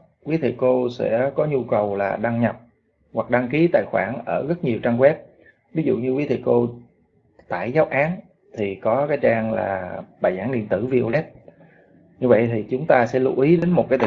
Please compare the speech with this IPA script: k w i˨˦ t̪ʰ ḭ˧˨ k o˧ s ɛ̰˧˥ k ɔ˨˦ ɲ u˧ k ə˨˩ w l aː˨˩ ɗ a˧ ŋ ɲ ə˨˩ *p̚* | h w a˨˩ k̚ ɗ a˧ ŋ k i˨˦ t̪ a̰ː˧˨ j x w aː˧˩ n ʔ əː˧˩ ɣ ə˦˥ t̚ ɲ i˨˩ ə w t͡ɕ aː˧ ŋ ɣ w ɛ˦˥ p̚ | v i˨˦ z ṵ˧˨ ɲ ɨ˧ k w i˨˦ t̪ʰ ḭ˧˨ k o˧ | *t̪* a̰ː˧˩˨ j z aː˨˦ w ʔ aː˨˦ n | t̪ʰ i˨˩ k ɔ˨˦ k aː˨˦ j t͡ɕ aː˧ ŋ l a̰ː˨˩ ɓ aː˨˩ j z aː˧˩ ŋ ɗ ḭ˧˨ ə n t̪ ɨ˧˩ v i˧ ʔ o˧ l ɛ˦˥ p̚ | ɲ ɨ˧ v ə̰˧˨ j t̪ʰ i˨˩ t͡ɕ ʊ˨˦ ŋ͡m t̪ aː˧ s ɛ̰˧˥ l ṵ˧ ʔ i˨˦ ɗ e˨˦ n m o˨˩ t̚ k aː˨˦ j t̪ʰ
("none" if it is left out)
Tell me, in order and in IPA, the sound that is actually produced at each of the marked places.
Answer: p̚, t̪

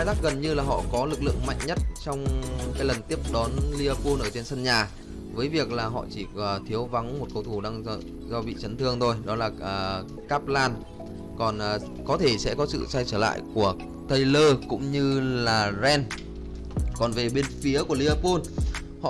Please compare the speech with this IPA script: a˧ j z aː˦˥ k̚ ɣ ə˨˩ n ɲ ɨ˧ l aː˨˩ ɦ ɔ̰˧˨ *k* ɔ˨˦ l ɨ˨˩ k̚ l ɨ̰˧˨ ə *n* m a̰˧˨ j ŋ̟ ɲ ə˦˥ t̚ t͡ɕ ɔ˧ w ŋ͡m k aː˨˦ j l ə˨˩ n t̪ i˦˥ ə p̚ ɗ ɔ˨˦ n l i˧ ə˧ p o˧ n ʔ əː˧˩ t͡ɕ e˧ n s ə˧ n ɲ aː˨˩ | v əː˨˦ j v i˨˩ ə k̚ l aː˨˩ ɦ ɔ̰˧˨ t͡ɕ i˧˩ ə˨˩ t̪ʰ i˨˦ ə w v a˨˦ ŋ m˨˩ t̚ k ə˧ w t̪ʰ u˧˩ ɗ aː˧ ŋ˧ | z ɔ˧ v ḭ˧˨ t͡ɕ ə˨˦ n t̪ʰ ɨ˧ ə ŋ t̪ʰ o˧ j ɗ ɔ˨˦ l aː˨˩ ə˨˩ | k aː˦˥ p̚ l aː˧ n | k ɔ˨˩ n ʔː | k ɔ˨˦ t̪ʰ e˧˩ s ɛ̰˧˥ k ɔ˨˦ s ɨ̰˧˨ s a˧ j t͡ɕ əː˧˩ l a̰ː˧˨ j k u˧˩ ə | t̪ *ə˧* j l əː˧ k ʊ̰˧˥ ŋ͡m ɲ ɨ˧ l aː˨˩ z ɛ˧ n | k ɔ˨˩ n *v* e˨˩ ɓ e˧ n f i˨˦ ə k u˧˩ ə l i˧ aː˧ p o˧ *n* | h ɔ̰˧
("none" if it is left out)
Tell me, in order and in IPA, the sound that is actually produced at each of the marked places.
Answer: k, ŋ, ə˧, v, n

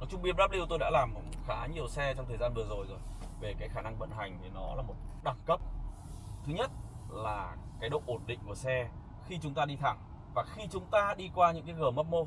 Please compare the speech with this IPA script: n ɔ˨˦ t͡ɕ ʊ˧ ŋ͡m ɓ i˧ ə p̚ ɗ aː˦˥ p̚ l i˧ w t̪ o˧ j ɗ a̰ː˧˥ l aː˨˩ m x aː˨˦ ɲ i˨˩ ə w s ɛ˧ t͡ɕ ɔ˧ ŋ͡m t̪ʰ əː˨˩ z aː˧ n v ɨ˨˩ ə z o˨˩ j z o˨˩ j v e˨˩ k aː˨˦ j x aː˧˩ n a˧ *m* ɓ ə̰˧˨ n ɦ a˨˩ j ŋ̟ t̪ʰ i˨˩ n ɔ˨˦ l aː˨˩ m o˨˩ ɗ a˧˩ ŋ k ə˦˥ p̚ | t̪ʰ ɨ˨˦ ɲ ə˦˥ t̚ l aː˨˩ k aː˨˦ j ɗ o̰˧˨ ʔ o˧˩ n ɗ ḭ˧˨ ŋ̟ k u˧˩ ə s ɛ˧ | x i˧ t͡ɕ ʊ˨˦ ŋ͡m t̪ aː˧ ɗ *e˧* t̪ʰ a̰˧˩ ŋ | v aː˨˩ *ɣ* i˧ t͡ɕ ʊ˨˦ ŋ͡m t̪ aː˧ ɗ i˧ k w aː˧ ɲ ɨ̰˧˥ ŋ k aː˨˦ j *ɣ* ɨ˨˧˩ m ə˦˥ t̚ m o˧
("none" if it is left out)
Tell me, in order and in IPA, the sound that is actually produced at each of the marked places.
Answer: ŋ, i˧, x, ɣ

